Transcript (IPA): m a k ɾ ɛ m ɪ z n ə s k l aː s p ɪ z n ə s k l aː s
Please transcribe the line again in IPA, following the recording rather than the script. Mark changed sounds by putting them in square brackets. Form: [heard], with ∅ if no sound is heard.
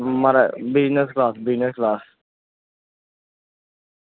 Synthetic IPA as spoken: m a [∅] ɾ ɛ [b] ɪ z n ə s k l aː s [b] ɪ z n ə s k l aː s